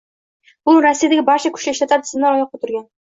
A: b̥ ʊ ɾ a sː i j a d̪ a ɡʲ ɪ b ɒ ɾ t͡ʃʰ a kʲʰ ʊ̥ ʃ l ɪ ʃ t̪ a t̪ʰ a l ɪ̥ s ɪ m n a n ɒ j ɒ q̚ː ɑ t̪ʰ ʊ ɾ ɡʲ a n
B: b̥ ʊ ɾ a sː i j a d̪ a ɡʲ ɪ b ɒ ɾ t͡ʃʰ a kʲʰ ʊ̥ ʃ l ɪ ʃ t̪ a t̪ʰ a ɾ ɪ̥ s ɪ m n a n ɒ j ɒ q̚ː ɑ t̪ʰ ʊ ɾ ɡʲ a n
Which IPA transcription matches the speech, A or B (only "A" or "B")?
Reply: B